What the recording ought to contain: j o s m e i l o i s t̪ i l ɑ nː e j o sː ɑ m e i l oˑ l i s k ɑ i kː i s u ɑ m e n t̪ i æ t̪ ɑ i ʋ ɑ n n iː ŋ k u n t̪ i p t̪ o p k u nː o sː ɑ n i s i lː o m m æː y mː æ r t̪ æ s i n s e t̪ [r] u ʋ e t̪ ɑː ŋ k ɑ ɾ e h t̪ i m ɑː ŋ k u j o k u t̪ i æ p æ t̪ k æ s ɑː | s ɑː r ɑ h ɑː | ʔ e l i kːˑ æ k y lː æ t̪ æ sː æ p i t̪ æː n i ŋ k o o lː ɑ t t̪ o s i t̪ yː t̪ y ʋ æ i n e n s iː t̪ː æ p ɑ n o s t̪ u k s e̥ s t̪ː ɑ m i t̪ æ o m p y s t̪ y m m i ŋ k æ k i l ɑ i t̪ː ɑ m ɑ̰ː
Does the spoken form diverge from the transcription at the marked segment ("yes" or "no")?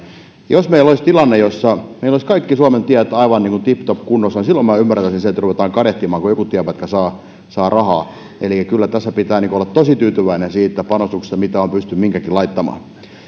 no